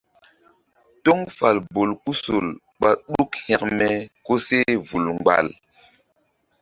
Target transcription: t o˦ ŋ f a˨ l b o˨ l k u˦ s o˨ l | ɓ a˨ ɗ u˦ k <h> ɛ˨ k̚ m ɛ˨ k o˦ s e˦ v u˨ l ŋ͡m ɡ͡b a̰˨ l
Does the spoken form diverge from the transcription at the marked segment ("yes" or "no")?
no